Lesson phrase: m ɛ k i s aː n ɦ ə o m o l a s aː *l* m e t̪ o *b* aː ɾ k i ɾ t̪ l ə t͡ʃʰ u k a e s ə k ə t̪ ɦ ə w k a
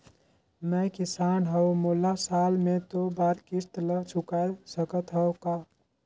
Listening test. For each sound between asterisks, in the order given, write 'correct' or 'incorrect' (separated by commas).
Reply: correct, correct